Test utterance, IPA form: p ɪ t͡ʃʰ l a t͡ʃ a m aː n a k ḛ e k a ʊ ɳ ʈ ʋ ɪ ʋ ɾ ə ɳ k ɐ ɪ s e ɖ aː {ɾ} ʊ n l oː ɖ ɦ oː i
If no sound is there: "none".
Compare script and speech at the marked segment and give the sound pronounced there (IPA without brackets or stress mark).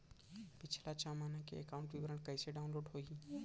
none